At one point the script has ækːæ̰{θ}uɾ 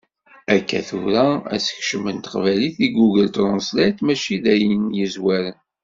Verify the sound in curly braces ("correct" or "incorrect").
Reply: correct